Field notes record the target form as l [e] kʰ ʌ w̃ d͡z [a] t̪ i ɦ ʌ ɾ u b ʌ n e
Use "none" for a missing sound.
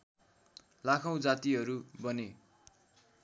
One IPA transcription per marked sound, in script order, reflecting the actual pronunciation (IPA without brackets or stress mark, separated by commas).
a, a